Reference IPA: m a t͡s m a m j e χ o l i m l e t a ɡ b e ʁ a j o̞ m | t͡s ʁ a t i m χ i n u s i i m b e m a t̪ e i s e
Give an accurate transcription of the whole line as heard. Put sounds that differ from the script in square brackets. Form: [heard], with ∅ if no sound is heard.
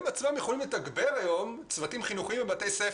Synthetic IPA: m a t͡s m a m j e χ o l i m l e t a ɡ b e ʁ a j o̞ m | t͡s [v] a t i m χ i n u [χ] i i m [v] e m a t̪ e [j] s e